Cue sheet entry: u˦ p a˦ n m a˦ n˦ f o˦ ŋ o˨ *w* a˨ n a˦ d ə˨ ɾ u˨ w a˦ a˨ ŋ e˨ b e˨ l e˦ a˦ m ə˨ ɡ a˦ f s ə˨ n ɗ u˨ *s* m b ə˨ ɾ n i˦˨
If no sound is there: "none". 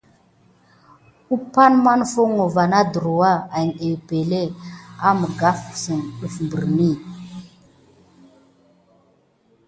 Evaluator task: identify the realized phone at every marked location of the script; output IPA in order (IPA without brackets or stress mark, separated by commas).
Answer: v, f